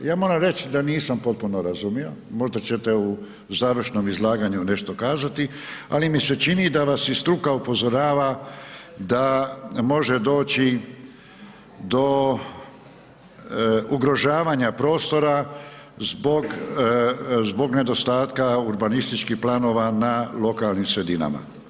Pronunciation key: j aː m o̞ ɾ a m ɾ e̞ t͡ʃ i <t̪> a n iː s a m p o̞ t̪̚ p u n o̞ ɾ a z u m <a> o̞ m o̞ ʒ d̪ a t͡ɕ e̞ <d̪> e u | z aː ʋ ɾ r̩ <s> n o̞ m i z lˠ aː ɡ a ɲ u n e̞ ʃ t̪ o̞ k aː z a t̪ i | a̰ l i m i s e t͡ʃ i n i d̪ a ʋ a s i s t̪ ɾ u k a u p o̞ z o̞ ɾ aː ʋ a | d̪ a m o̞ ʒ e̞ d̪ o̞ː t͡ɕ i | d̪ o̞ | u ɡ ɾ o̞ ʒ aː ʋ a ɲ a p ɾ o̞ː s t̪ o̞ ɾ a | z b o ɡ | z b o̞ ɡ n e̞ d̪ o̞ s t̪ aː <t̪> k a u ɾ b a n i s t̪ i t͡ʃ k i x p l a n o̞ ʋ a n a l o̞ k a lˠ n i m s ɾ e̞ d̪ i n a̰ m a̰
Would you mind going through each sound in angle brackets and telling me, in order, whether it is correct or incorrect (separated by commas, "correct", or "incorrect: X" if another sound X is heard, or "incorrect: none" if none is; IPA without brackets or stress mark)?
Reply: incorrect: d̪, incorrect: i, incorrect: t̪, incorrect: ʃ, correct